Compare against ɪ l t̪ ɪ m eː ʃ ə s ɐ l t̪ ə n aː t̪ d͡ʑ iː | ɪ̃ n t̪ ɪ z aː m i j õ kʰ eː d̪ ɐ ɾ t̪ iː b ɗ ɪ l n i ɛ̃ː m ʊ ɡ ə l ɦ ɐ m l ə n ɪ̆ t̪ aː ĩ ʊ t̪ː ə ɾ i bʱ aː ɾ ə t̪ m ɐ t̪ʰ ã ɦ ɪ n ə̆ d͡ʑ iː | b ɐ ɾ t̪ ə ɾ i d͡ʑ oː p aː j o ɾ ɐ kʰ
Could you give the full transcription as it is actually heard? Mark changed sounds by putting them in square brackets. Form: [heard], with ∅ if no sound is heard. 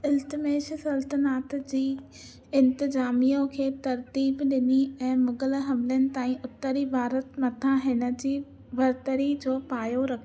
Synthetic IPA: ɪ l t̪ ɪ m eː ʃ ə s ɐ l t̪ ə n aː t̪ d͡ʑ iː | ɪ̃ n t̪ ɪ z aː m i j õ kʰ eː [t̪] ɐ ɾ t̪ iː b ɗ ɪ [∅] n i ɛ̃ː m ʊ ɡ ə l ɦ ɐ m l ə n ɪ̆ t̪ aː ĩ ʊ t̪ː ə ɾ i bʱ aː ɾ ə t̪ m ɐ t̪ʰ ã ɦ ɪ n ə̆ d͡ʑ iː | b ɐ ɾ t̪ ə ɾ i d͡ʑ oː p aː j o ɾ ɐ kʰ

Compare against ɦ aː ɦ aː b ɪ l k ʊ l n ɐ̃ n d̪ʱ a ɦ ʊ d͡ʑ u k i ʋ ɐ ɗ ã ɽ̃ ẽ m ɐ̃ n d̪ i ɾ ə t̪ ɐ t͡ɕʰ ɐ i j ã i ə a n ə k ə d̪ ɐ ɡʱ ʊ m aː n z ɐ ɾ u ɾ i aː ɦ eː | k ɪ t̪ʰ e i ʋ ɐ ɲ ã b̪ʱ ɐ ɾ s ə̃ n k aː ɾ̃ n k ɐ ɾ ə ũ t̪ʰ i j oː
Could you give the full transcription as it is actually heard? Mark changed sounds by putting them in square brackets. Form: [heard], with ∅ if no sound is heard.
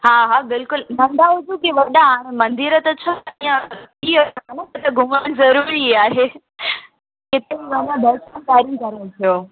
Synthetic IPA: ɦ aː ɦ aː b ɪ l k ʊ l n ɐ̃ n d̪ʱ a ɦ ʊ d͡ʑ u k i ʋ ɐ ɗ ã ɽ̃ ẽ m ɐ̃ n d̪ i ɾ ə t̪ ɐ t͡ɕʰ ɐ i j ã i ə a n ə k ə [t̪] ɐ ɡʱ ʊ m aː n z ɐ ɾ u ɾ i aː ɦ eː | k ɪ [t̪] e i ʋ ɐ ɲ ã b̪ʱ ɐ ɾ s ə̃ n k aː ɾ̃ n k ɐ ɾ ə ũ t̪ʰ i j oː

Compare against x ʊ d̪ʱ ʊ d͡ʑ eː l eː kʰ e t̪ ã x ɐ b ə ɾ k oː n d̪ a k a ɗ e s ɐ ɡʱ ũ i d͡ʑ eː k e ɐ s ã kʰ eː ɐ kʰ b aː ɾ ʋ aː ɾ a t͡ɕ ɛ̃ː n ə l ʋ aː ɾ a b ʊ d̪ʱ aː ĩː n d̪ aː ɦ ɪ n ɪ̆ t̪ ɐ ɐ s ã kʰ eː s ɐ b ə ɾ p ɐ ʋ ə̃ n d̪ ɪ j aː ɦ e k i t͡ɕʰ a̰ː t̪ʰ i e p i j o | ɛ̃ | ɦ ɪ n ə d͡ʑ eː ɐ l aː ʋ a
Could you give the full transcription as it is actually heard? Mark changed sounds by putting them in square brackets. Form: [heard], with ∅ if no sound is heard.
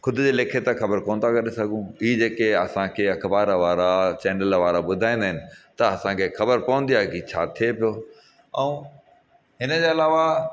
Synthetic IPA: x ʊ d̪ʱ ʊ d͡ʑ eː l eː kʰ e t̪ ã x ɐ b ə ɾ k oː n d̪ a k [ɐ] ɗ e s ɐ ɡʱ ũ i d͡ʑ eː k e ɐ s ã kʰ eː ɐ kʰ b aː ɾ ʋ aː ɾ a t͡ɕ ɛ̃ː n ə l ʋ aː ɾ a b ʊ d̪ʱ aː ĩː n d̪ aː ɦ ɪ n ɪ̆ t̪ ɐ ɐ s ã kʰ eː [x] ɐ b ə ɾ p ɐ ʋ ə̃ n d̪ [i] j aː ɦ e k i t͡ɕʰ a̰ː t̪ʰ i e p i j o | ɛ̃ | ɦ ɪ n ə d͡ʑ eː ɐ l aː ʋ a

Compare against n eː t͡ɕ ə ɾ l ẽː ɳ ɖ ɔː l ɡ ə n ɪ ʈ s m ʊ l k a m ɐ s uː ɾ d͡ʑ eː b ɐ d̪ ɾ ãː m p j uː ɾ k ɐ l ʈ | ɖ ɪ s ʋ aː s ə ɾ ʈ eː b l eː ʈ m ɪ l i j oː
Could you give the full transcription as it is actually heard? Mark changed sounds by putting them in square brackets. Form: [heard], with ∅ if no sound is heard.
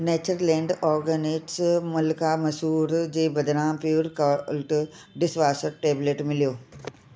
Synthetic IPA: n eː t͡ɕ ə ɾ l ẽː ɳ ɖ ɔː [ɾ] ɡ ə n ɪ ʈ s m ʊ l k a m ɐ s uː ɾ d͡ʑ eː b ɐ d̪ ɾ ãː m p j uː ɾ k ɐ l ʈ | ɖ ɪ s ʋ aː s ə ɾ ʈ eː b l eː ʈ m ɪ l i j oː

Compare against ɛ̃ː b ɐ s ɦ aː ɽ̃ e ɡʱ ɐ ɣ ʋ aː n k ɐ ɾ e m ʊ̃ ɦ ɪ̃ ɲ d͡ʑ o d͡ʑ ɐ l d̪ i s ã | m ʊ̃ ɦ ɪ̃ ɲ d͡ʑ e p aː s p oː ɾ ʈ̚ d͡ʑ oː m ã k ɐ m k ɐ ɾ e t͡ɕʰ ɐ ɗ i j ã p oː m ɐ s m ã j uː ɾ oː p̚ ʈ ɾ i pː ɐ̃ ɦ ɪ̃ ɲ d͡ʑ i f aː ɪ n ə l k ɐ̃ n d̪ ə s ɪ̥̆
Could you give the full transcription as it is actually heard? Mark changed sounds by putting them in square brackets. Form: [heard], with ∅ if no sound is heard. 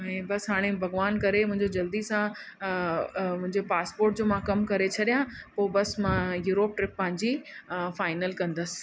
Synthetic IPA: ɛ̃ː b ɐ s ɦ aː ɽ̃ e [bʱ] ɐ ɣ ʋ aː n k ɐ ɾ e m ʊ̃ ɦ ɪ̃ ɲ d͡ʑ o d͡ʑ ɐ l d̪ i s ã | m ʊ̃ ɦ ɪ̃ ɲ d͡ʑ e p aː s p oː ɾ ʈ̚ d͡ʑ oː m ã k ɐ m k ɐ ɾ e t͡ɕʰ ɐ ɗ i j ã p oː [b] ɐ s m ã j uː ɾ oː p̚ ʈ ɾ [ɪ] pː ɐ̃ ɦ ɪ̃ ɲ d͡ʑ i f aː ɪ n ə l k ɐ̃ n d̪ ə s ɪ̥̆

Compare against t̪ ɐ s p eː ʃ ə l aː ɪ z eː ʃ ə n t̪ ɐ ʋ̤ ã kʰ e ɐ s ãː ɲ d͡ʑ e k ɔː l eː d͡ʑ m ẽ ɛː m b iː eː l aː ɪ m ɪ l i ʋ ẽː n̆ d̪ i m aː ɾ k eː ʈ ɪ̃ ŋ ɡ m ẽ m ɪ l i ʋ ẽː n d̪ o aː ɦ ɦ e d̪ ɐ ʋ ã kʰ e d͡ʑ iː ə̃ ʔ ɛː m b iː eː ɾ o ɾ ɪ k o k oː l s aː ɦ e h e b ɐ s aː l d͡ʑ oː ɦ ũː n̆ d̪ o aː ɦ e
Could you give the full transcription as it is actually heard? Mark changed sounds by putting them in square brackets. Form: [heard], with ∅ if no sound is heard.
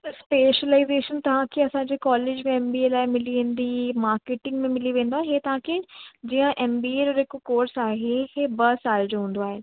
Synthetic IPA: t̪ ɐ s p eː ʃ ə l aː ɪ z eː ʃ ə n t̪ ɐ ʋ̤ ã kʰ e ɐ s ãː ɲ d͡ʑ e k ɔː l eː d͡ʑ m ẽ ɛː m b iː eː l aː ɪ m ɪ l i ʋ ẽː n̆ d̪ i m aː ɾ k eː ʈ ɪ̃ ŋ ɡ m ẽ m ɪ l i ʋ ẽː n d̪ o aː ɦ ɦ e [t̪] ɐ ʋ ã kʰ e d͡ʑ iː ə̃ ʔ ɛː m b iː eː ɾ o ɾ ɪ k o k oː [ɾ] s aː ɦ e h e b ɐ s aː l d͡ʑ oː ɦ ũː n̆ d̪ o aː ɦ e

